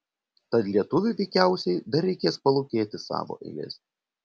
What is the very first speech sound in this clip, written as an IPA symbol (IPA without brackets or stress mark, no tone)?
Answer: t̪